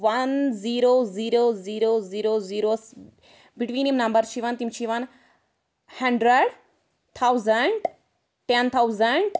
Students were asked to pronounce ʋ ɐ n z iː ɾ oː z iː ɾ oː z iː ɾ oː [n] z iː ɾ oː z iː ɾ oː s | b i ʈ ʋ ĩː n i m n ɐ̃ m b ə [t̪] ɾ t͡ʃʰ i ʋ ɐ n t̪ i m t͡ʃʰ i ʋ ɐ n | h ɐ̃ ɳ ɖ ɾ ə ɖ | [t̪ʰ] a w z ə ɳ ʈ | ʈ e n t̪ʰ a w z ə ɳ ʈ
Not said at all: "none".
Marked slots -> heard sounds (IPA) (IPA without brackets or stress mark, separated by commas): none, none, t̪ʰ